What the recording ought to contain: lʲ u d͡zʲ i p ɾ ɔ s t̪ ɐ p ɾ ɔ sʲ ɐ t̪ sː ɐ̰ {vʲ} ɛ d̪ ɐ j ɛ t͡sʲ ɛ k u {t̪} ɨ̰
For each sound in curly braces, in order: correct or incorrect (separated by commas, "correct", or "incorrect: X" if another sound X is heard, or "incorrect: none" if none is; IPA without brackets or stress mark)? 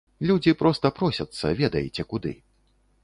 correct, incorrect: d̪